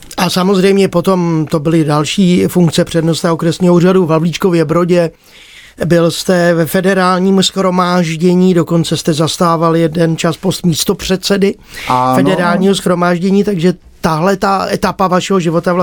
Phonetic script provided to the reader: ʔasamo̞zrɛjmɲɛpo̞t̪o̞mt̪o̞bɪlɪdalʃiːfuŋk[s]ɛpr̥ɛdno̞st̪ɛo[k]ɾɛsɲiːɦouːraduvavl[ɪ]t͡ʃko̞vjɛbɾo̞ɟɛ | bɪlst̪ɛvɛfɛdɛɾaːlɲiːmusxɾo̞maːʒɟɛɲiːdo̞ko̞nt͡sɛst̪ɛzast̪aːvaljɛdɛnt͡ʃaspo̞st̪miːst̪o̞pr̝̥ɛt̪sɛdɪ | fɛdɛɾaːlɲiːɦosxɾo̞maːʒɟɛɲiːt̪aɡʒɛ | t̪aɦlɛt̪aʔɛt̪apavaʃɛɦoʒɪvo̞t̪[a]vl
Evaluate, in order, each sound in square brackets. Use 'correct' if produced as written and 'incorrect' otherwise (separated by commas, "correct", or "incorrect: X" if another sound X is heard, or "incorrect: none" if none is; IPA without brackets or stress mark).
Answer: incorrect: t͡s, correct, incorrect: i, correct